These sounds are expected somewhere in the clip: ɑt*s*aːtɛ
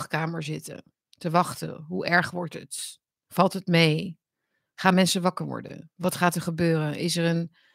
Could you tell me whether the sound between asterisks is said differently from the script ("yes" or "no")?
yes